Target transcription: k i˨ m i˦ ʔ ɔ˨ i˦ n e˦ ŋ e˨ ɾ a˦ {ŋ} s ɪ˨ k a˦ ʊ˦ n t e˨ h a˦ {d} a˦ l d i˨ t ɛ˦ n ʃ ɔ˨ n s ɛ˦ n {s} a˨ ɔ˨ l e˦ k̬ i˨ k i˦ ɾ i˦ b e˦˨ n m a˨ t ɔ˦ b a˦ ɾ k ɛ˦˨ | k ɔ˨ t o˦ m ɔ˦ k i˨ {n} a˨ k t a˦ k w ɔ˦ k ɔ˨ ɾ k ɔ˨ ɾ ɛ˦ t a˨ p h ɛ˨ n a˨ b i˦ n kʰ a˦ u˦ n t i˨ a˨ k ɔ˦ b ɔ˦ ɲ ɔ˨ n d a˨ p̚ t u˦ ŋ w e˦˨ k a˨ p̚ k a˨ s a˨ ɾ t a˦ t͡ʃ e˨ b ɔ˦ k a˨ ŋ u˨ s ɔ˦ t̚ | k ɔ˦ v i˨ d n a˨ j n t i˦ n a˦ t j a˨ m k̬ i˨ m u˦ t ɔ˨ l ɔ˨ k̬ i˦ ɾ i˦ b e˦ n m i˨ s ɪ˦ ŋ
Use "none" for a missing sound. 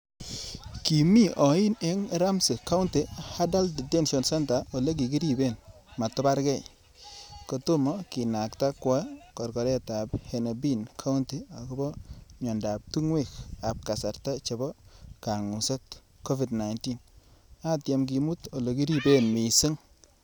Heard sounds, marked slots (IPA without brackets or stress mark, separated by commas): m, d, t, n